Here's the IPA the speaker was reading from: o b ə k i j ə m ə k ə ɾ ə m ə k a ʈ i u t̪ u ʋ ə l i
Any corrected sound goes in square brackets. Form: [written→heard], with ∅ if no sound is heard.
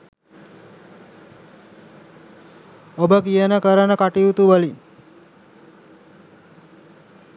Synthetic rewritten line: o b ə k i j ə [m→n] ə k ə ɾ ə [m→n] ə k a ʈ i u t̪ u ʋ ə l i